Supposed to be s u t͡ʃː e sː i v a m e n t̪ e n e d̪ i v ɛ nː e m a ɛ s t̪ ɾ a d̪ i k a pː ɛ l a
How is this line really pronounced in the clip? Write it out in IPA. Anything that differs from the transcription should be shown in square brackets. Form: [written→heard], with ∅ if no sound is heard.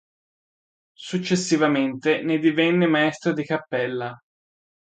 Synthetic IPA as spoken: s u t͡ʃː e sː i v a m e n t̪ e n e d̪ i v ɛ nː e m a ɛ s t̪ ɾ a d̪ i k a pː ɛ [l→lː] a